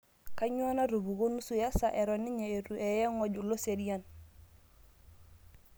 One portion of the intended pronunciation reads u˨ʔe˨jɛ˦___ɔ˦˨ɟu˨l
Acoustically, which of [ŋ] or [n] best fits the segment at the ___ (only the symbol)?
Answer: ŋ